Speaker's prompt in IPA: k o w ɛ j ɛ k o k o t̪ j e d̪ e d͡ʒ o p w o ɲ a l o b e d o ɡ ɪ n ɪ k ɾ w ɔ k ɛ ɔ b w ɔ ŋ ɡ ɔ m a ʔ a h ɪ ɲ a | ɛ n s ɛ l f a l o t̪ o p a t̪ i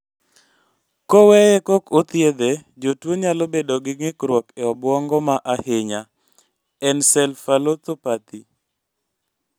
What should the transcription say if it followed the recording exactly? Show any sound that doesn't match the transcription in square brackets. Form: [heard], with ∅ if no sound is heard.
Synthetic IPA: k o w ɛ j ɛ k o k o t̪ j e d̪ e d͡ʒ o [t] w o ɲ a l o b e d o ɡ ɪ [ŋ] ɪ k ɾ w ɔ k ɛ ɔ b w ɔ ŋ ɡ ɔ m a ʔ a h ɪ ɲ a | ɛ n s ɛ l f a l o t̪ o p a t̪ i

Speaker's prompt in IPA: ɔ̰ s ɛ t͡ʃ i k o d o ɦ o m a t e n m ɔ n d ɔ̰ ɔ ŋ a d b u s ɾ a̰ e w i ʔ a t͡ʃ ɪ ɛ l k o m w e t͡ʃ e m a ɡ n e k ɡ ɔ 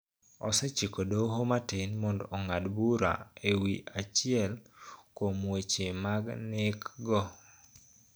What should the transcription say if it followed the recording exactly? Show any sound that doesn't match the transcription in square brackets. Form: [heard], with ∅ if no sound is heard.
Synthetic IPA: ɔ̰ s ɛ t͡ʃ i k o d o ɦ o m a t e n m ɔ n d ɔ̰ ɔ ŋ a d b u [∅] ɾ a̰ e w i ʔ a t͡ʃ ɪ ɛ l k o m w e t͡ʃ e m a ɡ n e k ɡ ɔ

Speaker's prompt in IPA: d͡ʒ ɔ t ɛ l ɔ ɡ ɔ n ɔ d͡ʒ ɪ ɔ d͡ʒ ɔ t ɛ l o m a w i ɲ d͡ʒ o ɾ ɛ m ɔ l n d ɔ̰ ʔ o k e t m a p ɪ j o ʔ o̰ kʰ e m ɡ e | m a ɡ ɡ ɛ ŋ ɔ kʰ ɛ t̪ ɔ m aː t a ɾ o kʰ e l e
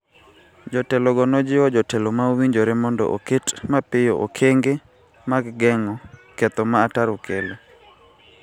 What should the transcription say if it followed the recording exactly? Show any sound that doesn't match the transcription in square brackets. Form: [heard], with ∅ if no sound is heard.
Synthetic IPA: d͡ʒ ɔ t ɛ l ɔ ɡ ɔ n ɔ d͡ʒ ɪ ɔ d͡ʒ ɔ t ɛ l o m a w i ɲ d͡ʒ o ɾ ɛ m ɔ [∅] n d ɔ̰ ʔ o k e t m a p ɪ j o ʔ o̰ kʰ e [ŋ] ɡ e | m a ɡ ɡ ɛ ŋ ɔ [k] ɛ t̪ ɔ m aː t a ɾ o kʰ e l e

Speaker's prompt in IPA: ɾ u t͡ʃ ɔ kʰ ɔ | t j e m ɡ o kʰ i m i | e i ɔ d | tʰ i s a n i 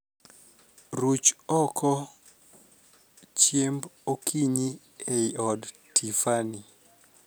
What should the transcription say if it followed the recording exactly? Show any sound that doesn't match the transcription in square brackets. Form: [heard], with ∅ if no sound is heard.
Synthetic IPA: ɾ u t͡ʃ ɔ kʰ ɔ | [t͡ʃ] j e m [b] o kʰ i [ɲ] i | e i ɔ d | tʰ i [f] a n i

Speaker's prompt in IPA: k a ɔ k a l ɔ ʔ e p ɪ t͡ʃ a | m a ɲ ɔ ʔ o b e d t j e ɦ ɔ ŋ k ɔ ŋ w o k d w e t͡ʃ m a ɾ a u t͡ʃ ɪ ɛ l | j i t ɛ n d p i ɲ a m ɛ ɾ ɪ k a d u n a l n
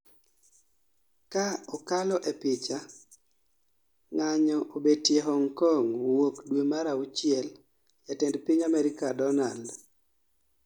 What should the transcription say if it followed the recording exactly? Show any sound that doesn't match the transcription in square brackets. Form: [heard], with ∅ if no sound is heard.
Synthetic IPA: k a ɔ k a l ɔ ʔ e p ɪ t͡ʃ a | [ŋ] a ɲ ɔ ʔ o b e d t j e ɦ ɔ ŋ k ɔ ŋ w o k d w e [∅] m a ɾ a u t͡ʃ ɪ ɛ l | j [a] t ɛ n d p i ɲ a m ɛ ɾ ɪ k a d [ɔ] n a l [d]

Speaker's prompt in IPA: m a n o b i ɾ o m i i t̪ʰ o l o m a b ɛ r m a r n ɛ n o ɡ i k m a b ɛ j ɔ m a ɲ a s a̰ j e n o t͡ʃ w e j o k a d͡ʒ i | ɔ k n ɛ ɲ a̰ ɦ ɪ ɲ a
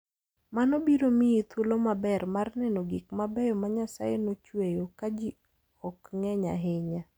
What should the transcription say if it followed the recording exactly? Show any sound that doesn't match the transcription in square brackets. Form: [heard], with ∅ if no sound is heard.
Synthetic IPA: m a n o b i ɾ o m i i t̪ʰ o l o m a b ɛ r m a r n ɛ n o ɡ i k m a b ɛ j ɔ m a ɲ a s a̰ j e n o t͡ʃ w e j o k a d͡ʒ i | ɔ k [ŋ] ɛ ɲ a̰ ɦ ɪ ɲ a

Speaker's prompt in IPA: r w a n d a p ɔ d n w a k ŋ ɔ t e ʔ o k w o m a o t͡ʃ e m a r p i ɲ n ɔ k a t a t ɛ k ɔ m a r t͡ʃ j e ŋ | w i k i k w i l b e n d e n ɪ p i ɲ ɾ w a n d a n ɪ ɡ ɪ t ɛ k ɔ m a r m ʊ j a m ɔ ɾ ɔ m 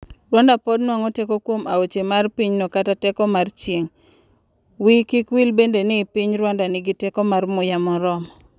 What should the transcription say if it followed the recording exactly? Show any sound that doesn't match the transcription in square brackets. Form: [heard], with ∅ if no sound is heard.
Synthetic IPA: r w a n d a p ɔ d n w a [∅] ŋ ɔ t e [k] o k w o m a o t͡ʃ e m a r p i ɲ n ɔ k a t a t ɛ k ɔ m a r t͡ʃ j e ŋ | w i k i k w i l b e n d e n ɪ p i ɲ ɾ w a n d a n ɪ ɡ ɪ t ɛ k ɔ m a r m ʊ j a m ɔ ɾ ɔ m

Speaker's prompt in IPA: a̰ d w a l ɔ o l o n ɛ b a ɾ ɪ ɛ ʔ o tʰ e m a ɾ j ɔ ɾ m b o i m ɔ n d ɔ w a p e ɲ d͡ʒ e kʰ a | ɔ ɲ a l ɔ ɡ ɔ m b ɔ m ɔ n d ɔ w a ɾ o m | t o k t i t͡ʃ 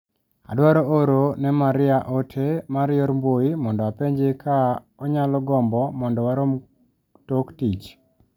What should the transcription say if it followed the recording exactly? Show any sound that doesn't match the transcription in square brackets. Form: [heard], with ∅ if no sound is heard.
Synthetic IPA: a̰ d w a [ɾ] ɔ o [ɾ] o n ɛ [m] a ɾ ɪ [a] ʔ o tʰ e m a ɾ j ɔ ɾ m b o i m ɔ n d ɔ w a p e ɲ d͡ʒ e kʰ a | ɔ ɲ a l ɔ ɡ ɔ m b ɔ m ɔ n d ɔ w a ɾ o m | t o k t i t͡ʃ

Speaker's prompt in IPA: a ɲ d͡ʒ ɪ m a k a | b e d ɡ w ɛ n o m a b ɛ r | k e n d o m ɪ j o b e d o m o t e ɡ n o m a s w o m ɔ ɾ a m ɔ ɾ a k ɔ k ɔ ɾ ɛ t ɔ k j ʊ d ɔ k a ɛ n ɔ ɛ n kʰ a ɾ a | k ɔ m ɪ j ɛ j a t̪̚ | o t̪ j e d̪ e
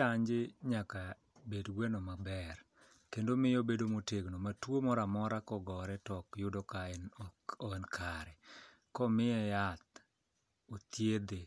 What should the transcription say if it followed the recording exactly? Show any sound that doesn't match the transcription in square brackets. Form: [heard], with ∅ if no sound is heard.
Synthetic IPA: a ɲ d͡ʒ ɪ [ɲ] a k a | b e d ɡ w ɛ n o m a b ɛ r | k e n d o m ɪ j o b e d o m o t e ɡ n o m a [t] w o m ɔ ɾ a m ɔ ɾ a k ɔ [ɡ] ɔ ɾ ɛ t ɔ k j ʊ d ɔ k a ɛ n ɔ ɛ n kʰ a ɾ [ɛ] | k ɔ m ɪ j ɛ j a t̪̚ | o t̪ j e d̪ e

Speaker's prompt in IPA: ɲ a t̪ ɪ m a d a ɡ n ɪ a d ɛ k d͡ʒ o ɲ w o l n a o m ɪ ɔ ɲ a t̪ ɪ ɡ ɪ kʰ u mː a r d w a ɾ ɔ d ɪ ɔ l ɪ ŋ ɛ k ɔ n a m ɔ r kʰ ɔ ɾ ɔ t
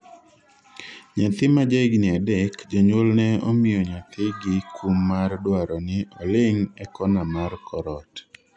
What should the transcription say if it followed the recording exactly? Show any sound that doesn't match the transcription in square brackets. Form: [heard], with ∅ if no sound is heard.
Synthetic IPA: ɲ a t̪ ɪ m a [d͡ʒ] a ɡ n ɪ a d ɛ k d͡ʒ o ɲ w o l n [ɛ] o m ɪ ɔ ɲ a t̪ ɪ ɡ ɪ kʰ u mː a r d w a ɾ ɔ [n] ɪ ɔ l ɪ ŋ ɛ k ɔ n a m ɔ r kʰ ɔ ɾ ɔ t

